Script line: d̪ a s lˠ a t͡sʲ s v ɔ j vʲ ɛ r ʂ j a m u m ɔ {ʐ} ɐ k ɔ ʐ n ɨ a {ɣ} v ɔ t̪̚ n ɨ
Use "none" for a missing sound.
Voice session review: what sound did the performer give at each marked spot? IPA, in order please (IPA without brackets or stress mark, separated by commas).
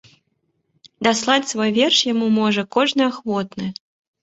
ʐ, x